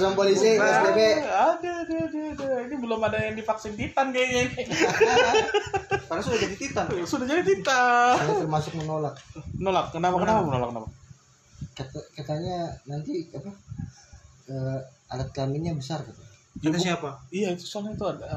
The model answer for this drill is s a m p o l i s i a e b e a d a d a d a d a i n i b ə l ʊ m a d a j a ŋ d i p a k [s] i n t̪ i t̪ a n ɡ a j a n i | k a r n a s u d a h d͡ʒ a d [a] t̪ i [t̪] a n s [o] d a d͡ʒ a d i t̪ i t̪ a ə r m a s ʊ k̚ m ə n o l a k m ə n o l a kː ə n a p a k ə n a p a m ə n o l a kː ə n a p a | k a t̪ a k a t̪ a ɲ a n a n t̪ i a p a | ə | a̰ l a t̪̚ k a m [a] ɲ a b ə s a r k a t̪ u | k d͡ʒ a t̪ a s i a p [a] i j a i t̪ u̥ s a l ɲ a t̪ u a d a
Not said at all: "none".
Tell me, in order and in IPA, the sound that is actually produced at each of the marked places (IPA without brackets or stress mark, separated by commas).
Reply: s, i, t̪, u, i, a